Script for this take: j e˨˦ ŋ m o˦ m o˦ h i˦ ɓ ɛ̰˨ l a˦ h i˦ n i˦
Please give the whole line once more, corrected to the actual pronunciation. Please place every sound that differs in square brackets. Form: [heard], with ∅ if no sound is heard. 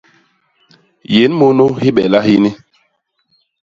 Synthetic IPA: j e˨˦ [n] m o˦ [n] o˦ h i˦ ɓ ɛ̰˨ l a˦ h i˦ n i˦